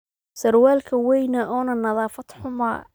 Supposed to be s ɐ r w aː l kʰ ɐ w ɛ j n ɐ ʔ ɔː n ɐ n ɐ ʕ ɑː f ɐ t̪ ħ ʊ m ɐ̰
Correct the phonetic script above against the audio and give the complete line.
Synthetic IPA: s ɐ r w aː l kʰ ɐ w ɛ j n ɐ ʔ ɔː n ɐ n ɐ ð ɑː f ɐ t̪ ħ ʊ m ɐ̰